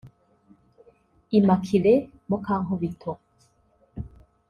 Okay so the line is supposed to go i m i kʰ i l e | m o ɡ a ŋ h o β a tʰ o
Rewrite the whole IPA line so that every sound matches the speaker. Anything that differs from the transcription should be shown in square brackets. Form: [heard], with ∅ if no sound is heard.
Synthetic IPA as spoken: i m [a] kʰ i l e | m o [k] a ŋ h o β [i] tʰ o